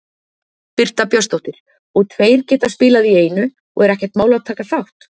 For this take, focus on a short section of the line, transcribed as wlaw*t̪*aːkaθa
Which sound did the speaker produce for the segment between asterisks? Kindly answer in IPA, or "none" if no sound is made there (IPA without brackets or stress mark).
t̪ʰ